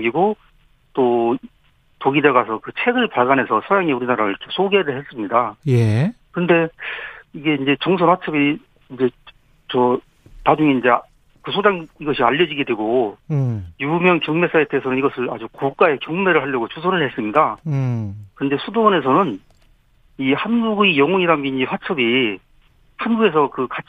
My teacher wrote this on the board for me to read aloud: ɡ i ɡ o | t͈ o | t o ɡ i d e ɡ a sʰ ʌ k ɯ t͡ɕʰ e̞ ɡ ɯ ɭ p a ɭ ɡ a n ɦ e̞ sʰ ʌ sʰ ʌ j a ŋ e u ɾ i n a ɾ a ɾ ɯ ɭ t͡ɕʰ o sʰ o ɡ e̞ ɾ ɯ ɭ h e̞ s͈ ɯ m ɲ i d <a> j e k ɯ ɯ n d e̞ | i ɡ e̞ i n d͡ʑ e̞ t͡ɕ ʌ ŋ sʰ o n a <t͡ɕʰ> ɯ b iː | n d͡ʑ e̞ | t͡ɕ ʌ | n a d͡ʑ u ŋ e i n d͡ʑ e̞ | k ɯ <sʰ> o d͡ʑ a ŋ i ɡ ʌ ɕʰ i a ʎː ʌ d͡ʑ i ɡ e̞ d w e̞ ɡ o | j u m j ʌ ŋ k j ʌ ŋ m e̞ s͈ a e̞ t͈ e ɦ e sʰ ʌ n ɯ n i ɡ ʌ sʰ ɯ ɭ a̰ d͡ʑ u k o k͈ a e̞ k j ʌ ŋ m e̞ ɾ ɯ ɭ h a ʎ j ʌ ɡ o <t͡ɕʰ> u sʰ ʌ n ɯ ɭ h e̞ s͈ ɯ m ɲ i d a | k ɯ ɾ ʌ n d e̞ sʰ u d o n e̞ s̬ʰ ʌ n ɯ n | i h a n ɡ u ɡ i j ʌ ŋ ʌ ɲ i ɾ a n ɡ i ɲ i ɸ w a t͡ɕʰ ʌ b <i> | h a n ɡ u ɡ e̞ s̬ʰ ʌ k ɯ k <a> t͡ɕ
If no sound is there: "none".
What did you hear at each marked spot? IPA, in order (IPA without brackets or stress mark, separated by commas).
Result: a, t͡ɕʰ, sʰ, t͡ɕ, i, a